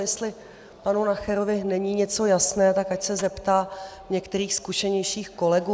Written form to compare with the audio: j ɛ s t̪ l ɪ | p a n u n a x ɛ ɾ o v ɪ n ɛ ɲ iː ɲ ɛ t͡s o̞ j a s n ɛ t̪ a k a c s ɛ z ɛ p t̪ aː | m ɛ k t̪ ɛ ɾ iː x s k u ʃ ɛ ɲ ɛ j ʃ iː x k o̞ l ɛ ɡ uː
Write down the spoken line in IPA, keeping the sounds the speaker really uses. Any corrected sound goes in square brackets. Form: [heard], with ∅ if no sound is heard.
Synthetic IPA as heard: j ɛ s t̪ l ɪ | p a n u n a x ɛ ɾ o v ɪ n ɛ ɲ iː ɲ ɛ t͡s o̞ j a s n [ɛː] t̪ a k a c s ɛ z ɛ p t̪ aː | [ɲ] ɛ k t̪ ɛ ɾ iː x s k u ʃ ɛ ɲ ɛ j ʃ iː x k o̞ l ɛ ɡ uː

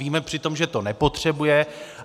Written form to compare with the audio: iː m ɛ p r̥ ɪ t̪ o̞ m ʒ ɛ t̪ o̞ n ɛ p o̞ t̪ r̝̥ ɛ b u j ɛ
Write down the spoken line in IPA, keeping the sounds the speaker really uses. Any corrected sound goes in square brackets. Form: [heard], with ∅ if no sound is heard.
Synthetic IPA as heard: iː m ɛ p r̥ ɪ t̪ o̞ m ʒ ɛ t̪ o̞ n ɛ p o̞ t̪ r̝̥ ɛ b u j ɛ

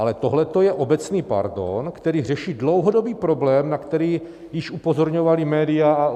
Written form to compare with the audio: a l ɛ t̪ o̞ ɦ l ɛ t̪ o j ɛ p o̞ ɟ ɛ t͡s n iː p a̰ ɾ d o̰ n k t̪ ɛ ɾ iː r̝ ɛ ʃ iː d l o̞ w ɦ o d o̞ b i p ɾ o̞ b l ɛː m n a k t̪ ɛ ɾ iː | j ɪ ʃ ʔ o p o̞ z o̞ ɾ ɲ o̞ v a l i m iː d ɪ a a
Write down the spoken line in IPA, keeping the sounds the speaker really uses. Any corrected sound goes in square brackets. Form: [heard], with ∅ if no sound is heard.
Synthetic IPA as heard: a l ɛ t̪ o̞ ɦ l ɛ t̪ o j ɛ [ʔ] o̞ [b] ɛ t͡s n iː p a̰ ɾ d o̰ n k t̪ ɛ ɾ iː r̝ ɛ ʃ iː d l o̞ w ɦ o d o̞ b [iː] p ɾ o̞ b l ɛː m n a k t̪ ɛ ɾ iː | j ɪ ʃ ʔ [u] p o̞ z o̞ ɾ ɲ o̞ v a l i m [ɛː] d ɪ a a

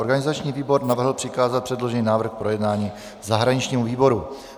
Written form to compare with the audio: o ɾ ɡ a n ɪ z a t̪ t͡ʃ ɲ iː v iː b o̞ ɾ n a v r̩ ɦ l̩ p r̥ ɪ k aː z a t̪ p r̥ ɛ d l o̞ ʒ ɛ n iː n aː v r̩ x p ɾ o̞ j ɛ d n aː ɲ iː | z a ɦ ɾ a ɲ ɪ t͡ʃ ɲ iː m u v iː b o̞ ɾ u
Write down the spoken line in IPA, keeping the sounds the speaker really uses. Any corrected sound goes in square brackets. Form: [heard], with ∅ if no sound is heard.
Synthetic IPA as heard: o ɾ ɡ a n ɪ z a [∅] t͡ʃ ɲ iː v iː b o̞ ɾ n a v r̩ ɦ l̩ p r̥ ɪ k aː z a t̪ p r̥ ɛ d l o̞ ʒ ɛ n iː n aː v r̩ x p ɾ o̞ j ɛ d n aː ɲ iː | z a ɦ ɾ a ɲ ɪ t͡ʃ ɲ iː m u v iː b o̞ ɾ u

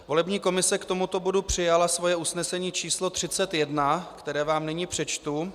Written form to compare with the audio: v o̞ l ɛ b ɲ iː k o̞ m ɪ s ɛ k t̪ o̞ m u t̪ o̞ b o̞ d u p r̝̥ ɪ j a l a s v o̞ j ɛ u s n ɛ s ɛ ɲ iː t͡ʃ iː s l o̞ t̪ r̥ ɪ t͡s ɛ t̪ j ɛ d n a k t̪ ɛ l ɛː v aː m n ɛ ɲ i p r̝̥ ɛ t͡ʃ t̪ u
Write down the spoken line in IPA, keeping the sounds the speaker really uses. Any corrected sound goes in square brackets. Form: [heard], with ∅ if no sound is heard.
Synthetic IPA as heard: v o̞ l ɛ b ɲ iː k o̞ m ɪ s ɛ k t̪ o̞ m u t̪ o̞ b o̞ d u p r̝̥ ɪ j a l a s v o̞ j ɛ u s n ɛ s ɛ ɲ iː t͡ʃ iː s l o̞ t̪ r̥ ɪ t͡s ɛ t̪ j ɛ d n a k t̪ ɛ [ɾ] ɛː v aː m n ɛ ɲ i p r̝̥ ɛ t͡ʃ t̪ u

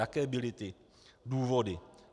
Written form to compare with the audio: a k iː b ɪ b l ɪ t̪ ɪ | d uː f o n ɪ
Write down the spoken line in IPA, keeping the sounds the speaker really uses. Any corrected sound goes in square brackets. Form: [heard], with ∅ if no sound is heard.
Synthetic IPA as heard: a k [ɛː] b ɪ [∅] l ɪ t̪ ɪ | d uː [v] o [d] ɪ

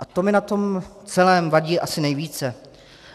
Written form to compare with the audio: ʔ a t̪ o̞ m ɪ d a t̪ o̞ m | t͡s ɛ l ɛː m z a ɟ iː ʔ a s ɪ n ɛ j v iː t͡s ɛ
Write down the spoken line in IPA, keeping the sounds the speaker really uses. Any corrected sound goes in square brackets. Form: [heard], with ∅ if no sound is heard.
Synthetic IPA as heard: ʔ a t̪ o̞ m ɪ [n] a t̪ o̞ m | t͡s ɛ l ɛː m [v] a ɟ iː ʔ a s ɪ n ɛ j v iː t͡s ɛ

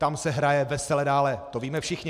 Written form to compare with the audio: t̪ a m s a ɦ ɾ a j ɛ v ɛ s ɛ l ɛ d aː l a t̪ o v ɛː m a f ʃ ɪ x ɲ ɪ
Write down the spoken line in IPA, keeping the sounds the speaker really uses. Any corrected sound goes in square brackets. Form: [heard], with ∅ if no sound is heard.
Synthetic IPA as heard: t̪ a m s [ɛ] ɦ ɾ a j ɛ v ɛ s ɛ l ɛ d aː l [ɛ] t̪ o v [iː] m [ɛ] f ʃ ɪ x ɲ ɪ

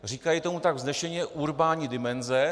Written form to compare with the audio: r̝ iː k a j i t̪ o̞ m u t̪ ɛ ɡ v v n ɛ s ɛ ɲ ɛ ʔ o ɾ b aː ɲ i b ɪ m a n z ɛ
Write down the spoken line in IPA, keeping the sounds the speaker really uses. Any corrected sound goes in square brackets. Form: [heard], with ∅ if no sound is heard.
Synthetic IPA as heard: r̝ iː k a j i t̪ o̞ m u t̪ [a] ɡ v [z] n ɛ [ʃ] ɛ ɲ ɛ ʔ [u] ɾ b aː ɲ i [d] ɪ m [ɛ] n z ɛ

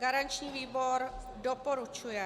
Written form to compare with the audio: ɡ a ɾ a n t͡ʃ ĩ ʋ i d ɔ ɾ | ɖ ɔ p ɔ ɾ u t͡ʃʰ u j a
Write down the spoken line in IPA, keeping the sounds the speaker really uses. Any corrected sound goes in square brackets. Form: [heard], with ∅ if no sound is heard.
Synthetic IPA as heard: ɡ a ɾ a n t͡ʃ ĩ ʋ i [b] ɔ ɾ | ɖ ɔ p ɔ ɾ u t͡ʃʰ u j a

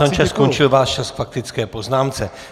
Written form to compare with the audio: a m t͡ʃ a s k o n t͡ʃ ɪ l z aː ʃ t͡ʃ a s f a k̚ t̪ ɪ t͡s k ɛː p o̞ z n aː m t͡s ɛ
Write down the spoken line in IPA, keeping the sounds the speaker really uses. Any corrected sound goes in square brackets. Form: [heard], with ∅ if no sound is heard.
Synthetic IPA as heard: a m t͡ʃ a s k o n t͡ʃ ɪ l [v] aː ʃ t͡ʃ a s f a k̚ t̪ ɪ t͡s k ɛː p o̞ z n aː m t͡s ɛ

